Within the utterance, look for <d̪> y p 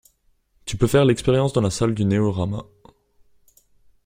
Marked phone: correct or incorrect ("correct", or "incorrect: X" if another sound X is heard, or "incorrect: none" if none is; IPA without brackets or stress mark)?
incorrect: t̪